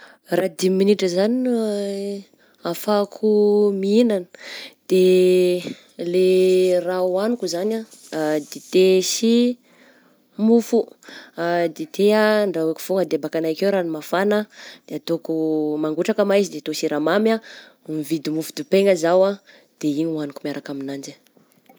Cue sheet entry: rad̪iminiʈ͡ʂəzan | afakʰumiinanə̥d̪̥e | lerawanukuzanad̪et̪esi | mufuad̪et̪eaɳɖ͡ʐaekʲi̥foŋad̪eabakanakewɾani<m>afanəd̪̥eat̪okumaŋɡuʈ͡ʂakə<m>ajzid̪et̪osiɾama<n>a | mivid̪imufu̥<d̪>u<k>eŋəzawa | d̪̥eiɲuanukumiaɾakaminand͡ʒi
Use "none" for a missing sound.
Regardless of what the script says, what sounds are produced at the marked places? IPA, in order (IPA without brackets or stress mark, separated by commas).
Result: m, m, m, d̪, p